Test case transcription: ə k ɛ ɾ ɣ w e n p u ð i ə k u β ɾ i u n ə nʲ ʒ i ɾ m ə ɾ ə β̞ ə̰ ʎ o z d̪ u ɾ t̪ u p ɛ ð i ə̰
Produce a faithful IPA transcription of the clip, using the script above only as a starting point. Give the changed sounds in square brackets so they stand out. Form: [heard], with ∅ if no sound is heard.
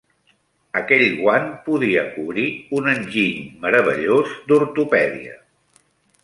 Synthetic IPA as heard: ə k ɛ [ʎ] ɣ w [a] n p u ð i ə k u β ɾ i u n ə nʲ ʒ i [ʎ] m ə ɾ ə β̞ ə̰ ʎ o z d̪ u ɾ t̪ u p ɛ ð i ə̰